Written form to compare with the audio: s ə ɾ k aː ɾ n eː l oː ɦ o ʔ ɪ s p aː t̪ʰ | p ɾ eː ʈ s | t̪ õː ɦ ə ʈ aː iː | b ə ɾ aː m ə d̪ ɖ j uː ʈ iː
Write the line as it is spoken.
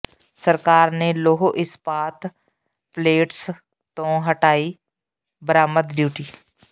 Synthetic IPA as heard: s ə ɾ k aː ɾ n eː l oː ɦ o ʔ ɪ s p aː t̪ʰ | p l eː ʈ s | t̪ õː ɦ ə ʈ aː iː | b ə ɾ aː m ə d̪ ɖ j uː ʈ iː

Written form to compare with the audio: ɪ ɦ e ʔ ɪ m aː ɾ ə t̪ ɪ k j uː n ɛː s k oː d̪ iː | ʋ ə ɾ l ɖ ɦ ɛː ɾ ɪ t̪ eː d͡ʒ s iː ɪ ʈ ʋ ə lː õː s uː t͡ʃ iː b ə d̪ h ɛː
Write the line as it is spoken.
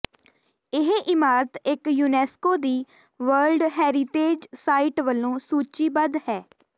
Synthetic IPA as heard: ɪ ɦ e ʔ ɪ m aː ɾ ə t̪ ɪ k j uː n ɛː s k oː d̪ iː | ʋ ə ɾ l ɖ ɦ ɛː ɾ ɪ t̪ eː d͡ʒ s aː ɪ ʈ ʋ ə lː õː s uː t͡ʃ iː b ə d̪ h ɛː

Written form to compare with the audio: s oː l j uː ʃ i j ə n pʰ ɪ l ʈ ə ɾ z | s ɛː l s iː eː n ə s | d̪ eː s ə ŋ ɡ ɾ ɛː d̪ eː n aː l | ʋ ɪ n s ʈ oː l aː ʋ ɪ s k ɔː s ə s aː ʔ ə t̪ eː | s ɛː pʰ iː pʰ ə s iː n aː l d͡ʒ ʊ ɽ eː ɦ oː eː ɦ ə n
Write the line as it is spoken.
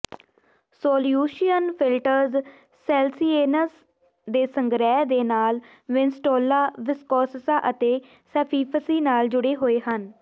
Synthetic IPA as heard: s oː l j uː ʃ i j ə n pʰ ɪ l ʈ ə ɾ z | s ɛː l s iː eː n ə s | d̪ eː s ə ŋ ɡ ɾ ɛː d̪ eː n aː l | ʋ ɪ n s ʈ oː l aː ʋ ɪ s k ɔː s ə s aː ʔ ə t̪ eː | s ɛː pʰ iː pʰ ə s iː n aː l d͡ʒ ʊ ɽ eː ɦ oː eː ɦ ə n

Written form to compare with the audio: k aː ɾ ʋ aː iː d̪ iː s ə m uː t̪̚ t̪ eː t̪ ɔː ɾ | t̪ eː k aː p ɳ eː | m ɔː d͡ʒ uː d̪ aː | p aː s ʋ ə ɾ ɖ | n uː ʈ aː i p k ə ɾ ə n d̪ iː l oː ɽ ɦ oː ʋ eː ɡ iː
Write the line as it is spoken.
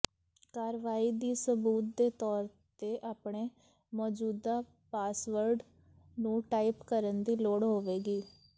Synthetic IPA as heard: k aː ɾ ʋ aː iː d̪ iː s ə b uː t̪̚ d̪ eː t̪ ɔː ɾ | t̪ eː ʔ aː p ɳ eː | m ɔː d͡ʒ uː d̪ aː | p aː s ʋ ə ɾ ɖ | n ũː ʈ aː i p k ə ɾ ə n d̪ iː l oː ɽ ɦ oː ʋ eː ɡ iː

